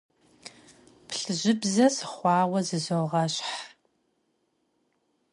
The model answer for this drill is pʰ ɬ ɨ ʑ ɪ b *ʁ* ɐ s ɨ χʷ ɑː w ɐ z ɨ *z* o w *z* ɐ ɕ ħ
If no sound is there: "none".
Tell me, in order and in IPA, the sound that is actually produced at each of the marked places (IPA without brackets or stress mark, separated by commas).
z, z, ʁ